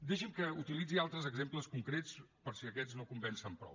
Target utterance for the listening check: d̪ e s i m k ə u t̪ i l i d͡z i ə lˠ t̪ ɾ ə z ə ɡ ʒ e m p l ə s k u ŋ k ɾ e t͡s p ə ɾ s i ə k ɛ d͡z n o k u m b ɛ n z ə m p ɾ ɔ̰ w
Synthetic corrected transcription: d̪ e ʃ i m k ə u t̪ i l i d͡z i a lˠ t̪ ɾ ə z ə ɡ z e m p l ə s k u ŋ k ɾ e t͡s p ə ɾ s i ə k ɛ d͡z n o k u m b ɛ n s ə m p ɾ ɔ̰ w